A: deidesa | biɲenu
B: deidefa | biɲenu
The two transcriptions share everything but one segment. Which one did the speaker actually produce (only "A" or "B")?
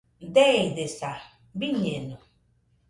A